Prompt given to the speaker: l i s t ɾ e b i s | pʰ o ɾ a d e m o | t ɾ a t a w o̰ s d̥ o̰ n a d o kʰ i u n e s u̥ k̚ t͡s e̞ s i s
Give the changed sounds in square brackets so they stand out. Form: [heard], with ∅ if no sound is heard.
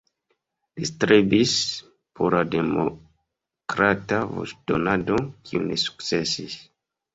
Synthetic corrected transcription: l i s t ɾ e b i s | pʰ o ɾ a d e m o | [k] ɾ a t a [v] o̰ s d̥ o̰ n a d o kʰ i u n e s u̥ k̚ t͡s e̞ s i s